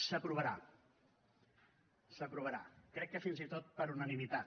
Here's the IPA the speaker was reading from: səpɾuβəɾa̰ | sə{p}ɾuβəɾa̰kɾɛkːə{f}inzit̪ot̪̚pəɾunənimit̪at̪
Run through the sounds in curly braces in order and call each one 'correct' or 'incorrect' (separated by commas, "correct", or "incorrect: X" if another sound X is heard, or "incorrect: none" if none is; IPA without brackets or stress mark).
correct, correct